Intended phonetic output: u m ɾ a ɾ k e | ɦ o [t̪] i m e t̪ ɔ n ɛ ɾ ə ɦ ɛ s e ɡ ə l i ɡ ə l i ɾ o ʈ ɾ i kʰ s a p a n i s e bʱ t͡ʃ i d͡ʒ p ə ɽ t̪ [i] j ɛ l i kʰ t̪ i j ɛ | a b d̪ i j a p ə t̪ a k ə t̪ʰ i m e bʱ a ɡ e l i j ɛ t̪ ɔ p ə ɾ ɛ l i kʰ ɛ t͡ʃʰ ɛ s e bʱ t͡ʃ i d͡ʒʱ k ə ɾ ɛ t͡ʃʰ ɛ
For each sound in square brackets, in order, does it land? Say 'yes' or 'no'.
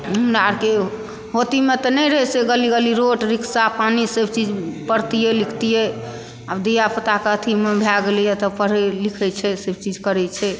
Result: yes, yes

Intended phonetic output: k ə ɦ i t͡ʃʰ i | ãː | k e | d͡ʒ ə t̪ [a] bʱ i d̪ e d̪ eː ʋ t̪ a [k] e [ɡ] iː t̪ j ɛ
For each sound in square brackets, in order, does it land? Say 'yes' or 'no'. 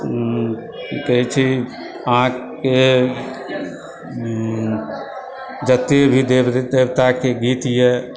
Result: no, yes, yes

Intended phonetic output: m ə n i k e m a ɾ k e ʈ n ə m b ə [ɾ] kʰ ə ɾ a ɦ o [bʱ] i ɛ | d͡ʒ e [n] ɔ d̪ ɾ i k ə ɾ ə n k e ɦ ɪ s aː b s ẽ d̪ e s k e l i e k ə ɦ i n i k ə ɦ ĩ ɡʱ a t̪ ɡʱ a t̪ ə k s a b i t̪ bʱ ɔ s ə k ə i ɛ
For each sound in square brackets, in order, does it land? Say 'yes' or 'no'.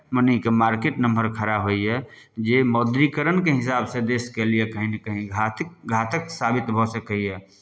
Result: yes, no, no

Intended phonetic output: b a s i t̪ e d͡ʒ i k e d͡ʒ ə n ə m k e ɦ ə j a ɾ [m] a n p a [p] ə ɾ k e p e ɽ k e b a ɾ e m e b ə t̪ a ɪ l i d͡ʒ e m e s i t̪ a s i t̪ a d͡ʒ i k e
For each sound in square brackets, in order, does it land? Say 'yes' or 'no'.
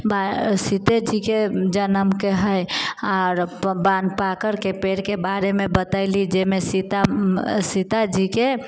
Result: no, no

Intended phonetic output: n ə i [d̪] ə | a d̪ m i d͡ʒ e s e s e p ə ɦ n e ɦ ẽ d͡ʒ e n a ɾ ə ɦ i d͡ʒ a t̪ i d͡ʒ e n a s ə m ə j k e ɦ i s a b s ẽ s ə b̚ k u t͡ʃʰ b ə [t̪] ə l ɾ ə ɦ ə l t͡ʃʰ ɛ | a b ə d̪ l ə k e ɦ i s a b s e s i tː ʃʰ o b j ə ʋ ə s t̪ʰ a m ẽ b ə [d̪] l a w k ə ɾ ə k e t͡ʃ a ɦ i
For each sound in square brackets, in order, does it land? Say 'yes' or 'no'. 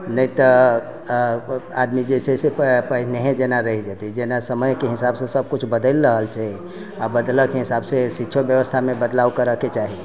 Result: no, no, yes

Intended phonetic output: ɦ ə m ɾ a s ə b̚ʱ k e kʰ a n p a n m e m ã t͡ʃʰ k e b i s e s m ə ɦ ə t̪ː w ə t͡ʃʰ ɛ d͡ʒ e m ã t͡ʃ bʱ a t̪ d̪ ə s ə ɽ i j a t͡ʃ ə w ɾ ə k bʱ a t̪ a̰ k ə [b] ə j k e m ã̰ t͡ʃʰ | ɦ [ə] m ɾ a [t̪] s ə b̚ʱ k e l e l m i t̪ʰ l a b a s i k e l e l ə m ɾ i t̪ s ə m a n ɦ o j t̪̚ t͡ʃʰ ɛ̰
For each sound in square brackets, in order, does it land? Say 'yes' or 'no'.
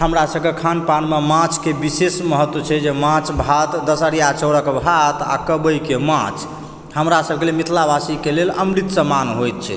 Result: yes, yes, no

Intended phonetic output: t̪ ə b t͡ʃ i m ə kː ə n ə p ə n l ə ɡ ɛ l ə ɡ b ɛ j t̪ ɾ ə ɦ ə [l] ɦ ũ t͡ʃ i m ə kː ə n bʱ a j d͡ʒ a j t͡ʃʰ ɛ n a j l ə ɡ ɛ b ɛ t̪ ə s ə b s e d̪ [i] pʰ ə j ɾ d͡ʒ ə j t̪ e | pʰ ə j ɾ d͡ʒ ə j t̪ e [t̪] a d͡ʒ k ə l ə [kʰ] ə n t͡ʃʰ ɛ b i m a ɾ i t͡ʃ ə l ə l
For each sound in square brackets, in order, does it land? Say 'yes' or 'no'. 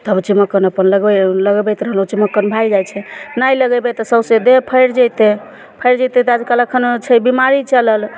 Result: yes, no, yes, yes

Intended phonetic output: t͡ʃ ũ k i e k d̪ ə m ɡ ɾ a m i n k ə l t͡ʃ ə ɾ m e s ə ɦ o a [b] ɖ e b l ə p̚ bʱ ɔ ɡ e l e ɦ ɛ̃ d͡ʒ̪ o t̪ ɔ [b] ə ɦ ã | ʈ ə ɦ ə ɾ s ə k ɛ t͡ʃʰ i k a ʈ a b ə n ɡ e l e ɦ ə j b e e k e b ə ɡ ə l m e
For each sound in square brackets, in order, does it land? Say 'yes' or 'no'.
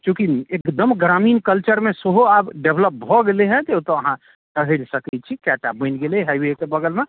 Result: yes, no

